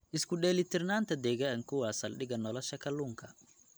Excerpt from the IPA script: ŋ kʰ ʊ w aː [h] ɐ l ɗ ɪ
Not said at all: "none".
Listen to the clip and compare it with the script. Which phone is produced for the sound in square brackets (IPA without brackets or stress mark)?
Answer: s